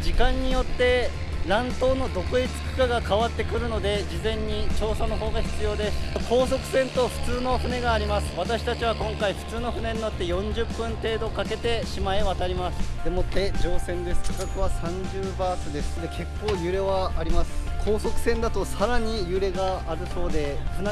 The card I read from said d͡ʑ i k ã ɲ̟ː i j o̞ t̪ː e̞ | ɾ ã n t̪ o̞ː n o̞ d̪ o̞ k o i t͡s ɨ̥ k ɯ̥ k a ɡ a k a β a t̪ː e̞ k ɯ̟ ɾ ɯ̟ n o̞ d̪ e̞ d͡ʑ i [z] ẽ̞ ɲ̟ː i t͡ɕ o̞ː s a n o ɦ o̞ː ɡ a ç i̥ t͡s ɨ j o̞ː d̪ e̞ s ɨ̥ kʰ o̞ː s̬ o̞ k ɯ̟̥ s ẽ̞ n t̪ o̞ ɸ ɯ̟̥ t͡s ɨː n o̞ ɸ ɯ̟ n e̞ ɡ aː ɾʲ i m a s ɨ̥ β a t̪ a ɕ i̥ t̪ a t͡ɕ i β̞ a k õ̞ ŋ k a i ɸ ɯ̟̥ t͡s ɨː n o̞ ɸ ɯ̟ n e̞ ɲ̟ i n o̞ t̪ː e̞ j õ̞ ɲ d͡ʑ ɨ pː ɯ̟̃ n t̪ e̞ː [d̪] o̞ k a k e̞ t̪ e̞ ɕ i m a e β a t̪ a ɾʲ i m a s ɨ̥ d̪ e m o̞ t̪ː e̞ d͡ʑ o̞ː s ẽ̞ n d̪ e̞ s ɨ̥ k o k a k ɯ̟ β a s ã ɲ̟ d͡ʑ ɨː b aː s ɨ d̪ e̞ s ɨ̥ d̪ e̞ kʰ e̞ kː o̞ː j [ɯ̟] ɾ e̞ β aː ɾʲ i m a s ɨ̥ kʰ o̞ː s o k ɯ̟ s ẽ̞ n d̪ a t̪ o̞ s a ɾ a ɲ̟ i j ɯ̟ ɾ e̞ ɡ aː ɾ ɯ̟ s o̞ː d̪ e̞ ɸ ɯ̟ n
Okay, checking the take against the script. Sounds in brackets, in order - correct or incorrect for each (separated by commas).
correct, correct, correct